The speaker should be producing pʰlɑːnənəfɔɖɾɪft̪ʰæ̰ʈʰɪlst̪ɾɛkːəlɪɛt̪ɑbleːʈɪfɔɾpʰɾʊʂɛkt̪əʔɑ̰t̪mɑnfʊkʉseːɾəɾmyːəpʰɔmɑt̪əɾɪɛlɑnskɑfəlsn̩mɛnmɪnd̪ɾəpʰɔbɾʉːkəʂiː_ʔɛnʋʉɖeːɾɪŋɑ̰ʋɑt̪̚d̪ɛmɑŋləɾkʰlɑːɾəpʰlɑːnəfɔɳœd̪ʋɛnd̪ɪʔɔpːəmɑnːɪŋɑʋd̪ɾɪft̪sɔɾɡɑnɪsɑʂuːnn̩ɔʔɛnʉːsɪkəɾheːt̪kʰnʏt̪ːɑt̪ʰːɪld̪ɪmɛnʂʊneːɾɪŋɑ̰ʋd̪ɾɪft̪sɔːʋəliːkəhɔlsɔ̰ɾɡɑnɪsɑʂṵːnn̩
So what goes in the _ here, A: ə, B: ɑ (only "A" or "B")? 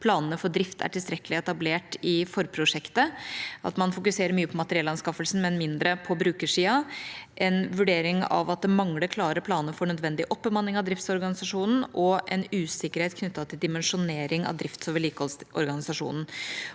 B